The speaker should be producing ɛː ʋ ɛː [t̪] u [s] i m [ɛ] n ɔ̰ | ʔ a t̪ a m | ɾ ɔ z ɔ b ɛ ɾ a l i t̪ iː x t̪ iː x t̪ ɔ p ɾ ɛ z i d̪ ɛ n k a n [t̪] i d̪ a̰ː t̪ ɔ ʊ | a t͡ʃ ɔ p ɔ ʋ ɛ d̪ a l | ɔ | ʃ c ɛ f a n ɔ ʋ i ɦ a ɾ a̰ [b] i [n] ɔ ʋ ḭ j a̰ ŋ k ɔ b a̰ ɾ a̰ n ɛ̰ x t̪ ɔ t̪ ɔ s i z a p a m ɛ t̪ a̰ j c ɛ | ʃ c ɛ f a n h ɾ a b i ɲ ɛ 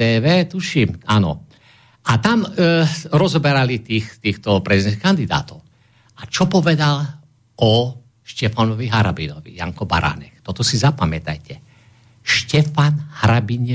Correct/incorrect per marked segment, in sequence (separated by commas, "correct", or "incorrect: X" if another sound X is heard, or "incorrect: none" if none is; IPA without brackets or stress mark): correct, incorrect: ʃ, incorrect: a, incorrect: d̪, correct, correct